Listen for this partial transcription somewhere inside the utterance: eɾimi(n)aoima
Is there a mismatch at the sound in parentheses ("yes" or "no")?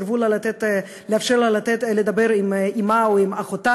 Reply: yes